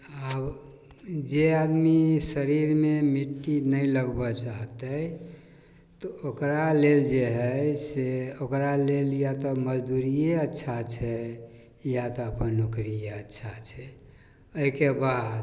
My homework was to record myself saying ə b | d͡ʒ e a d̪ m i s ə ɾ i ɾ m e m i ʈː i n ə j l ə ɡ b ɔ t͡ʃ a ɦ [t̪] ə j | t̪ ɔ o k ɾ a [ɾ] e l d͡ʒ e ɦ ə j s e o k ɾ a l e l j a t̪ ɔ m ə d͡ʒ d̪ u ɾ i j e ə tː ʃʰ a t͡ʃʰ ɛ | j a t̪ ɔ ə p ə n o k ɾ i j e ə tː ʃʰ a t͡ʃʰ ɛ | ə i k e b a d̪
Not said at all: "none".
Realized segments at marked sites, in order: t̪, l

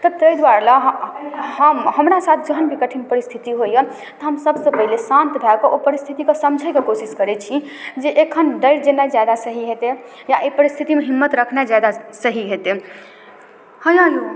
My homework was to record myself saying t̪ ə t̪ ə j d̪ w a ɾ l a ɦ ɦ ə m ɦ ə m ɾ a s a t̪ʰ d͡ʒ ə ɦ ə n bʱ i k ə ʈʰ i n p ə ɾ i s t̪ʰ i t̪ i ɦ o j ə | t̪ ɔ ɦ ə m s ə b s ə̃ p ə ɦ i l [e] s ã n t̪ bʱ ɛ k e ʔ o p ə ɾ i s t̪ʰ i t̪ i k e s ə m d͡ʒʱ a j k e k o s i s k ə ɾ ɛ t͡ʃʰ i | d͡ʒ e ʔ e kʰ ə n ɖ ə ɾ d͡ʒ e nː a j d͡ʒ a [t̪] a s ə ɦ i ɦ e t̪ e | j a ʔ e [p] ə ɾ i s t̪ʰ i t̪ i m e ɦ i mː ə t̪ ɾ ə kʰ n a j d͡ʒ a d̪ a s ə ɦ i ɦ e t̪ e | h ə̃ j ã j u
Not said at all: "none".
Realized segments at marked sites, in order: e, d̪, p

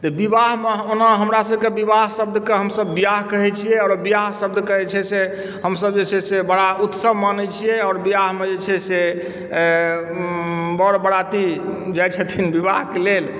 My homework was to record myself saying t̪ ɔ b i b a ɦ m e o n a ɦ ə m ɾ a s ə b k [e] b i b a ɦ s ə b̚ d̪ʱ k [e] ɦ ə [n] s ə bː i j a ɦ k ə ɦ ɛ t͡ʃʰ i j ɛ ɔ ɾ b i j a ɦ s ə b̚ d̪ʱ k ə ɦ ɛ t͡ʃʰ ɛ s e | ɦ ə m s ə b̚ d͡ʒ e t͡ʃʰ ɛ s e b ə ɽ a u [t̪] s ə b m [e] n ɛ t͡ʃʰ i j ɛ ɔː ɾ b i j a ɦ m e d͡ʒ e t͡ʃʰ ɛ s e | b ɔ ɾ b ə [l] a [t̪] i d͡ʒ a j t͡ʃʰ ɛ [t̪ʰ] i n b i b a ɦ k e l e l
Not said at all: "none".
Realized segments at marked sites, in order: e, e, m, t̪, a, ɽ, t̪, t̪ʰ

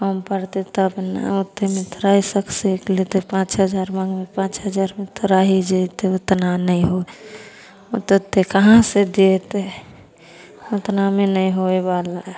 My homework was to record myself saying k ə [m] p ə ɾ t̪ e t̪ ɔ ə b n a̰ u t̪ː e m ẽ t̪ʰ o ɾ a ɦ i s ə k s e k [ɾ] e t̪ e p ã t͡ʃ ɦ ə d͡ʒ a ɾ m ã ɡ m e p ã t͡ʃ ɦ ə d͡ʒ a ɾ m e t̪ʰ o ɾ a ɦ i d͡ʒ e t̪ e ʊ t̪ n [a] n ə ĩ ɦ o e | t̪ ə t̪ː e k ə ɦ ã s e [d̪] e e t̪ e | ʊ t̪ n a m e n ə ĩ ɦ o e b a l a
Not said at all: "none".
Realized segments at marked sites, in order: m, l, a, d̪

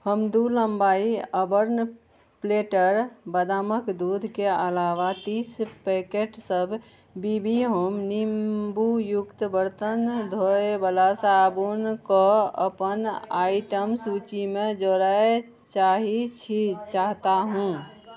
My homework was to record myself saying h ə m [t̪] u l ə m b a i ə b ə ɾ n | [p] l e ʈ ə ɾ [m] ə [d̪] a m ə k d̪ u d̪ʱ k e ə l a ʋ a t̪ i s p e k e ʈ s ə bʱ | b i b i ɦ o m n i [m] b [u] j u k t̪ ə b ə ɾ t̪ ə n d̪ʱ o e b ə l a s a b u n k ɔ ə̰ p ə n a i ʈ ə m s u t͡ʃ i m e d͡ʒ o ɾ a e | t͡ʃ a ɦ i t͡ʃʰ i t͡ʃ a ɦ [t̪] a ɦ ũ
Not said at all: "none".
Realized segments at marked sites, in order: d̪, p, b, d̪, m, u, t̪

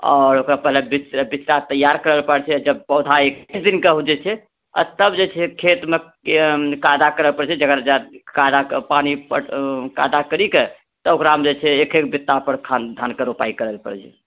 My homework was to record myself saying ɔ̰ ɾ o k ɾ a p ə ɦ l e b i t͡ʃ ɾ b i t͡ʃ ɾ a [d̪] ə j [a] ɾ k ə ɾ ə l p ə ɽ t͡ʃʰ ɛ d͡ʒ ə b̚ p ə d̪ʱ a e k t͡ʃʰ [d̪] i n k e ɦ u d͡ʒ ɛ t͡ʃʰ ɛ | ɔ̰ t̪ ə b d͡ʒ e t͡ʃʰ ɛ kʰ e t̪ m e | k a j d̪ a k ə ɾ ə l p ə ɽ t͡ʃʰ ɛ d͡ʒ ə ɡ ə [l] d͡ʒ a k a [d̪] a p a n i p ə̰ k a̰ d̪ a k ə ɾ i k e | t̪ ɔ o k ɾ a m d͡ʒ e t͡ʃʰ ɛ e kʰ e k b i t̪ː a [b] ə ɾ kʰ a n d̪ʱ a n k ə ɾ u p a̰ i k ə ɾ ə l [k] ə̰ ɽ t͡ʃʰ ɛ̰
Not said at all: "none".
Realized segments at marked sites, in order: t̪, a, d̪, ɾ, d̪, p, p

